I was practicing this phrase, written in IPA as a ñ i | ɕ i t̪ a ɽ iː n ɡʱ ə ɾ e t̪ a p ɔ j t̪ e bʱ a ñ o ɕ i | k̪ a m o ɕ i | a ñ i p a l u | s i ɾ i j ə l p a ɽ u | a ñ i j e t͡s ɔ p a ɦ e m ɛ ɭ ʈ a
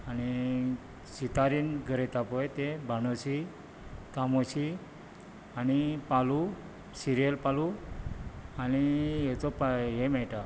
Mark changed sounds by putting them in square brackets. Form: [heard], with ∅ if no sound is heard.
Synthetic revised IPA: a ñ i | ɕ i t̪ a [ɾ] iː n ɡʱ ə ɾ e t̪ a p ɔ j t̪ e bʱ a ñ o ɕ i | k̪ a m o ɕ i | a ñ i p a l u | s i ɾ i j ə l p a [l] u | a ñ i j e t͡s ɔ p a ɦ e m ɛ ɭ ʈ a